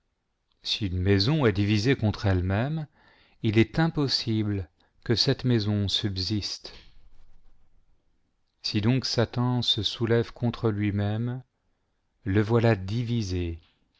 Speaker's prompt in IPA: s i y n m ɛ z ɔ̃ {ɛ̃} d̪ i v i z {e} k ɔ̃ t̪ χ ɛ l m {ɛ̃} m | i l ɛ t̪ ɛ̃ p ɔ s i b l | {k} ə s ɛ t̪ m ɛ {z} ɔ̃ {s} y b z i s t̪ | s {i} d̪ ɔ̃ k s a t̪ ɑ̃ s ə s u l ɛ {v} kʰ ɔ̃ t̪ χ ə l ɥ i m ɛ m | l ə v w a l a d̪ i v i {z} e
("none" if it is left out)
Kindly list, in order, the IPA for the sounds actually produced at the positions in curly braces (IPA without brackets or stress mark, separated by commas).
ɛ, e, ɛ, k, z, s, i, v, z